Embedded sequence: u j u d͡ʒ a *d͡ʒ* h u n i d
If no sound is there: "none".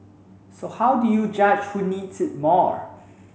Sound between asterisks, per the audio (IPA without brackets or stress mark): d͡ʒ